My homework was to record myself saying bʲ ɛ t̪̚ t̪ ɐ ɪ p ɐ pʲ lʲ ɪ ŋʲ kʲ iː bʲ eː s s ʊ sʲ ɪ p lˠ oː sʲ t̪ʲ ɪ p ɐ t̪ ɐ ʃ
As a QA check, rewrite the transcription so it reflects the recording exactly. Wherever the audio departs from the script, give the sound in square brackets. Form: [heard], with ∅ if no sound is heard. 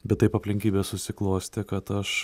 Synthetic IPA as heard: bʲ ɛ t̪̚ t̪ ɐ ɪ p ɐ pʲ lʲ ɪ ŋʲ kʲ iː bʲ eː s s ʊ sʲ ɪ [k] lˠ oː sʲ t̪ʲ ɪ [k] ɐ t̪ ɐ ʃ